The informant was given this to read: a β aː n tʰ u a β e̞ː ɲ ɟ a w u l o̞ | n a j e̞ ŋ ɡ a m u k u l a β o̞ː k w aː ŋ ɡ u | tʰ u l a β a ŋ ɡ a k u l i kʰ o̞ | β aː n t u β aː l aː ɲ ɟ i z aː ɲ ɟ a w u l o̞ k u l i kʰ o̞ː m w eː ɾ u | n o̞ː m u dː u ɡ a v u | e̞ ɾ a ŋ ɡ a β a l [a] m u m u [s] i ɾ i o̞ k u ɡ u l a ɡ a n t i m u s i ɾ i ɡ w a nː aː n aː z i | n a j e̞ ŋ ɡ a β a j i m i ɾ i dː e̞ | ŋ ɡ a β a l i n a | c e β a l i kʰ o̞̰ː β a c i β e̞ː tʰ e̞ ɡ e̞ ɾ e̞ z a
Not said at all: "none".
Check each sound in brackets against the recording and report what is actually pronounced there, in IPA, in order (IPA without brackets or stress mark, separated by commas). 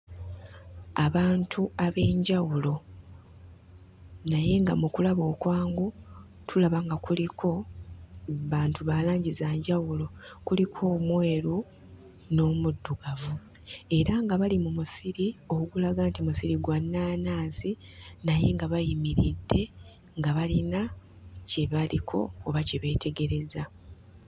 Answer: i, s